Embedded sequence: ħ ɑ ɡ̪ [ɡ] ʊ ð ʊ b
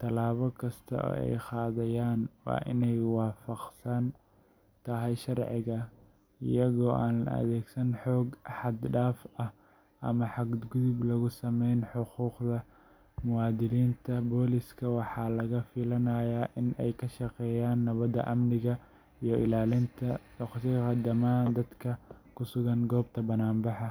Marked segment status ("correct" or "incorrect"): correct